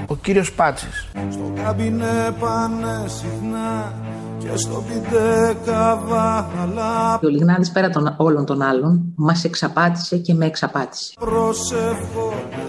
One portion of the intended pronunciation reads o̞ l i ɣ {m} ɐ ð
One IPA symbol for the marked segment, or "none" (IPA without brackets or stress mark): n